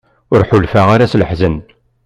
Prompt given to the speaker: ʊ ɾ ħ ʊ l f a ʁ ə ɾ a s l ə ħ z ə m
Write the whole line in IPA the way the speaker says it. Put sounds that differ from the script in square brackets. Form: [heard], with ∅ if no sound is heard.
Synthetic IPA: ʊ ɾ ħ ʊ l f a ʁ [a] ɾ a s l ə ħ z ə [n]